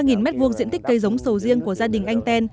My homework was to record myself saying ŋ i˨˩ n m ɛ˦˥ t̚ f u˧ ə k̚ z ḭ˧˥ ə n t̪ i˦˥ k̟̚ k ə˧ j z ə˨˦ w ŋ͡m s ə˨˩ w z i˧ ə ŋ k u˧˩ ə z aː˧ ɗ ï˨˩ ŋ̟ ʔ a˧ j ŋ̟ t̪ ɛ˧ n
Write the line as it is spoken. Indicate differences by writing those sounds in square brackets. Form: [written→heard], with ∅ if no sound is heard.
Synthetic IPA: ŋ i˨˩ n m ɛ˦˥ t̚ [f→v] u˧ ə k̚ z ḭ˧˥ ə n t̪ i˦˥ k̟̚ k ə˧ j z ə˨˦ w ŋ͡m s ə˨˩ w z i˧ ə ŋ k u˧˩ ə z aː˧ ɗ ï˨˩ ŋ̟ ʔ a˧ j ŋ̟ t̪ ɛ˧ n